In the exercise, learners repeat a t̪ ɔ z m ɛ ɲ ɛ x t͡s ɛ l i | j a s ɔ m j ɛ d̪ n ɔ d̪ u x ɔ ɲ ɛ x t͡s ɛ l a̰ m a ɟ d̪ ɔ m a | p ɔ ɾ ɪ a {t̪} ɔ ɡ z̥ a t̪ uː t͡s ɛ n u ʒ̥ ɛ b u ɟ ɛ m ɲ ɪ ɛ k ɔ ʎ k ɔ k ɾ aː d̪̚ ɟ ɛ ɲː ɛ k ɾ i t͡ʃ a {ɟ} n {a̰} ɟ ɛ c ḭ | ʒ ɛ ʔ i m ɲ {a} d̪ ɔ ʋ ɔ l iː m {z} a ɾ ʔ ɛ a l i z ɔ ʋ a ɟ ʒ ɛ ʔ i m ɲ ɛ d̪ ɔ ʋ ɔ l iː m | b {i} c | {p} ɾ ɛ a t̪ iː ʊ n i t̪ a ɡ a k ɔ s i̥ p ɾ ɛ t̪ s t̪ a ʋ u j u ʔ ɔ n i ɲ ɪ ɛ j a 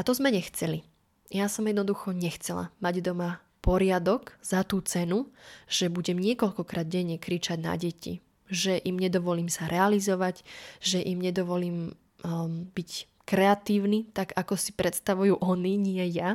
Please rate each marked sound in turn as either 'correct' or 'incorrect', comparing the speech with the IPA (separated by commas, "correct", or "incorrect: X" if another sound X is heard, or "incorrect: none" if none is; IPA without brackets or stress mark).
incorrect: d̪, correct, correct, incorrect: ɛ, incorrect: s, correct, incorrect: k